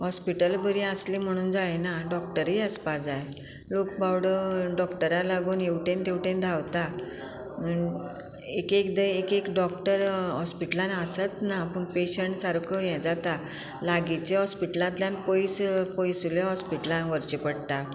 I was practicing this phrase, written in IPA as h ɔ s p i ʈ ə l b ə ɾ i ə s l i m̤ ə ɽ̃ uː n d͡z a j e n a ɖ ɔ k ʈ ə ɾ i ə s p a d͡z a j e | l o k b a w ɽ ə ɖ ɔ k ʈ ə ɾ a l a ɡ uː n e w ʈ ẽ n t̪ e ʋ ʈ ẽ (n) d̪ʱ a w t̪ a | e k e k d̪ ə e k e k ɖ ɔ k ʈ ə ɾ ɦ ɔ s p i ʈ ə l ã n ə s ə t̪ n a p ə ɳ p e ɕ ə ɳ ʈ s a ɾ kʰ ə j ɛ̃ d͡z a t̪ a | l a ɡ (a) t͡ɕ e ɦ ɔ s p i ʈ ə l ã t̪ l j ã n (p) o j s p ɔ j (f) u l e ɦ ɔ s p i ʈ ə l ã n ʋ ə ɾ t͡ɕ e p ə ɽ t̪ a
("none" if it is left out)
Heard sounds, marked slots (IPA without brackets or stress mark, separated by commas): n, i, p, s